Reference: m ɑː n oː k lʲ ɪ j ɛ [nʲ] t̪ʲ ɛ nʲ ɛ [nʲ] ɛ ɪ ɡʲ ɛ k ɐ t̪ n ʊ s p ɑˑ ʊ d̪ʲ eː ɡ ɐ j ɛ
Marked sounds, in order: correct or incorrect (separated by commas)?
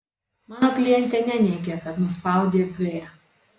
correct, correct